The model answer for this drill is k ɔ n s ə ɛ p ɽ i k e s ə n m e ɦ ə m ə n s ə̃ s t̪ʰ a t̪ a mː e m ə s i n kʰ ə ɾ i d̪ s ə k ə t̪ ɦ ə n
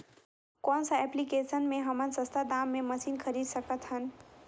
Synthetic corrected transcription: k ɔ n s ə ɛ p l i k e s ə n m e ɦ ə m ə n s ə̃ s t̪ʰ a d̪ a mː e m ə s i n kʰ ə ɾ i d̪ s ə k ə t̪ ɦ ə n